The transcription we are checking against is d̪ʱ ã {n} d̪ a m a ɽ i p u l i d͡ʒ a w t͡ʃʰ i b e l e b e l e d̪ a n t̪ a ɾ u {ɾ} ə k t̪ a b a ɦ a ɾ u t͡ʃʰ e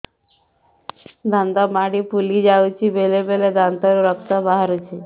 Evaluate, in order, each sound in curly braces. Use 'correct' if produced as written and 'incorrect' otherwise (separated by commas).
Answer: correct, correct